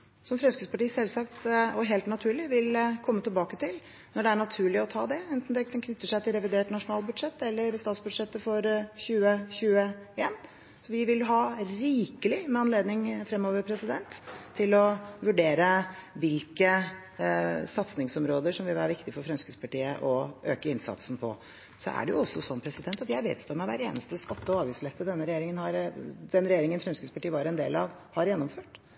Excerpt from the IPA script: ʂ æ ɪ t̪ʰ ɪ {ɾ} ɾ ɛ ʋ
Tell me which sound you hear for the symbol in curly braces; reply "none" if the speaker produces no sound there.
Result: l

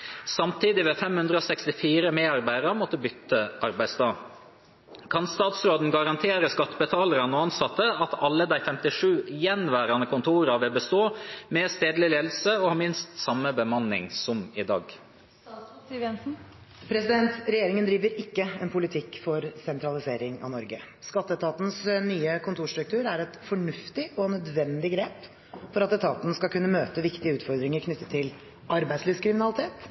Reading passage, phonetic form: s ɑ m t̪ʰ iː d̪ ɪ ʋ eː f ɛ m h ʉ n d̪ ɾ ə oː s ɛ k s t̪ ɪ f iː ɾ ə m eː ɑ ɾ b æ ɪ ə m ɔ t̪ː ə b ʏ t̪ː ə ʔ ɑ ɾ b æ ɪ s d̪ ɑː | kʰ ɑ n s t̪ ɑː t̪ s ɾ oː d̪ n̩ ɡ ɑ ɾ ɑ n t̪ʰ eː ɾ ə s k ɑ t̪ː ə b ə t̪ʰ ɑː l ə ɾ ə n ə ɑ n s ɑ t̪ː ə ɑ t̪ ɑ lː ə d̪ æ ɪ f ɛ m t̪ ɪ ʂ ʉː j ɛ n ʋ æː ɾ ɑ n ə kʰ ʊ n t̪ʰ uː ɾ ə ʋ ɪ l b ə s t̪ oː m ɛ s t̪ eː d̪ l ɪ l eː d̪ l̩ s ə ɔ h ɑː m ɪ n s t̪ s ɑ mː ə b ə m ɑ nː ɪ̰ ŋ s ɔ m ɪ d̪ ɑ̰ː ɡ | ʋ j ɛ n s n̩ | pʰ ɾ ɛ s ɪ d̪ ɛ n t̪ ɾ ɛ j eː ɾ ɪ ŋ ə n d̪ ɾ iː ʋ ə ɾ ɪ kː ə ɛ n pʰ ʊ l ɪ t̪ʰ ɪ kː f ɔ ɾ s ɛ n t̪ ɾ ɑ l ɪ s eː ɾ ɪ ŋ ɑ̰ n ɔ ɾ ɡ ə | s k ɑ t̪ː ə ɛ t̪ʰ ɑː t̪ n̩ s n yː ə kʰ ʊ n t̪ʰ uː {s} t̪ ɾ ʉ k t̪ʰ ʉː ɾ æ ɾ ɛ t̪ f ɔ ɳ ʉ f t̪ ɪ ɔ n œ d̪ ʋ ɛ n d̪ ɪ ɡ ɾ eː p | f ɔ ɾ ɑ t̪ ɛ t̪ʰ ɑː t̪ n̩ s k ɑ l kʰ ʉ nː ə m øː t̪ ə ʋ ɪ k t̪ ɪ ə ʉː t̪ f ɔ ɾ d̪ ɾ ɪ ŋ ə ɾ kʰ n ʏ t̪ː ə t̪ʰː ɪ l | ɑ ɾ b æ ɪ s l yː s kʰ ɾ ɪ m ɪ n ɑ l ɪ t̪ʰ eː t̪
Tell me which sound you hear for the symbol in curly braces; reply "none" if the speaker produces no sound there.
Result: ʂ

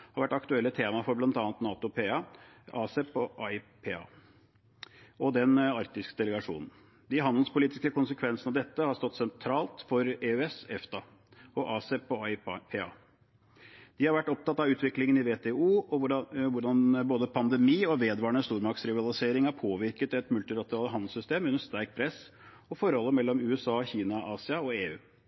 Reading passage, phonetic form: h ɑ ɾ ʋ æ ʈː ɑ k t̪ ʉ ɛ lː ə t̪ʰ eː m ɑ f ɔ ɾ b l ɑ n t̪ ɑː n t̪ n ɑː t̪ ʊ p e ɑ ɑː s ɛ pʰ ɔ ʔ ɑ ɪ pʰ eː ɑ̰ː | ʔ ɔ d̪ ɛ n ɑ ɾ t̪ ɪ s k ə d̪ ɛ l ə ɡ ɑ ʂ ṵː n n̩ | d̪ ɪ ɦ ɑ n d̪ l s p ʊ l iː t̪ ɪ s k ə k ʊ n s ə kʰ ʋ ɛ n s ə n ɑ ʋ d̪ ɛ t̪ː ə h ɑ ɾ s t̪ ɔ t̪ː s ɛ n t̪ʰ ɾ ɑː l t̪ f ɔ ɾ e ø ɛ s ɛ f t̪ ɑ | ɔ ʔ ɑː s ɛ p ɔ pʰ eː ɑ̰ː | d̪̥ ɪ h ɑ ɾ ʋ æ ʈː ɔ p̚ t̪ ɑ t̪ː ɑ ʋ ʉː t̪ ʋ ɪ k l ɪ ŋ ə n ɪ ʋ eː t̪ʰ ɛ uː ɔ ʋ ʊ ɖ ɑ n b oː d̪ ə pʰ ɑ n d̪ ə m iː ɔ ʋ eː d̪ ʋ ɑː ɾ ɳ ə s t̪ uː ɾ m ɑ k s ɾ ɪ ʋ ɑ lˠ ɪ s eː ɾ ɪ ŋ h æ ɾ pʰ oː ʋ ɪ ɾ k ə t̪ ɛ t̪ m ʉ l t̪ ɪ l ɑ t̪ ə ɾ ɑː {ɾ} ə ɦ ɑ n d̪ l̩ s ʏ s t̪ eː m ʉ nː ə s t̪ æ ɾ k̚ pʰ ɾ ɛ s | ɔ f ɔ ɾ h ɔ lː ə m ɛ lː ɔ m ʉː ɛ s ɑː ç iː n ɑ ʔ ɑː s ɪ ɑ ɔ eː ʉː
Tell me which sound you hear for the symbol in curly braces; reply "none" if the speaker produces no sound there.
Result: l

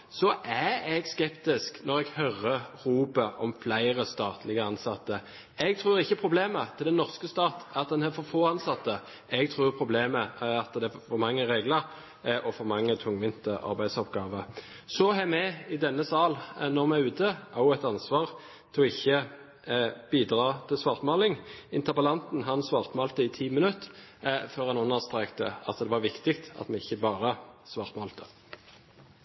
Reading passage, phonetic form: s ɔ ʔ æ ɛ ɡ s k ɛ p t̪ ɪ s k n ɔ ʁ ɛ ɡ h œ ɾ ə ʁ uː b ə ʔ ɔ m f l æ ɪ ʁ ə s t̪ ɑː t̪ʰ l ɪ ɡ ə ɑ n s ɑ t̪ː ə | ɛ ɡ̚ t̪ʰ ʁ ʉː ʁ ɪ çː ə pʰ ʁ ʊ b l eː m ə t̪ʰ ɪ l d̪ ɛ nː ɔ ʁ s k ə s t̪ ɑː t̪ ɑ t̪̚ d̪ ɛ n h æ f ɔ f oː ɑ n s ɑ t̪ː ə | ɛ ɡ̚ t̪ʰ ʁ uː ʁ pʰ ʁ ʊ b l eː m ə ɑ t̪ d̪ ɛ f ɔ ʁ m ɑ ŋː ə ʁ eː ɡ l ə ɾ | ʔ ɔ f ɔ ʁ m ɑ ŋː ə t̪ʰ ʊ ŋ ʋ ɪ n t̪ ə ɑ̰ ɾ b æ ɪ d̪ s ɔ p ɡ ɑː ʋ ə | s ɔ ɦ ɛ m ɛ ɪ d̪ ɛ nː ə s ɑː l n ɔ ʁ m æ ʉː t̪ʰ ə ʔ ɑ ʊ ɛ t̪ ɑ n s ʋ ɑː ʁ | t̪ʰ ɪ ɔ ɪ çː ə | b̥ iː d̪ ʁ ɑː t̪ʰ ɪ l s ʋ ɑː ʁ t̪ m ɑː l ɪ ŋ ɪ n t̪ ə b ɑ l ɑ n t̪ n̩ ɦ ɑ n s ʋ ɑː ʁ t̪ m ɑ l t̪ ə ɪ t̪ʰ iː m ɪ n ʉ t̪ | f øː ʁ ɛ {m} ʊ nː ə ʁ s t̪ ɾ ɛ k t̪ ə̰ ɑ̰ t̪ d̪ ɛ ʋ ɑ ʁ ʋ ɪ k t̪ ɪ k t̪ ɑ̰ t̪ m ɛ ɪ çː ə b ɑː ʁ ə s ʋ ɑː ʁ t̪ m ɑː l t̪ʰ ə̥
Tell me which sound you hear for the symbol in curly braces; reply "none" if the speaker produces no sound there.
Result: n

